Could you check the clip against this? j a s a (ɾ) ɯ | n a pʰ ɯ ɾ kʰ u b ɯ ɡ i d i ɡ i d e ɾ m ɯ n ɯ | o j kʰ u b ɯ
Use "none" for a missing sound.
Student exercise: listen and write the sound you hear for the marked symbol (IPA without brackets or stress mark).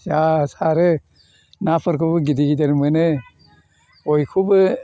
ɾ